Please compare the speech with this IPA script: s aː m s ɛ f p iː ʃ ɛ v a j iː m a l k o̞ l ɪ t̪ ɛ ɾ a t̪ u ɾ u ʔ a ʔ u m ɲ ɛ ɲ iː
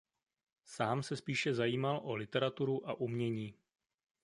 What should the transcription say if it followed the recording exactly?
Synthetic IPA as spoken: s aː m s ɛ s p iː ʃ ɛ z a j iː m a l ʔ o̞ l ɪ t̪ ɛ ɾ a t̪ u ɾ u ʔ a ʔ u m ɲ ɛ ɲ iː